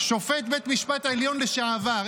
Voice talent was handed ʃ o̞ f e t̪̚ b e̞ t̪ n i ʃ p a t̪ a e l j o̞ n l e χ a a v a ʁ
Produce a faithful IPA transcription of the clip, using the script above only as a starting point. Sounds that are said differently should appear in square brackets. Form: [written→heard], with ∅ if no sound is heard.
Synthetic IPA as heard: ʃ o̞ f e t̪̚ b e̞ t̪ [n→m] i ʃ p a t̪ a e l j o̞ n l e [χ→ʃ] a a v a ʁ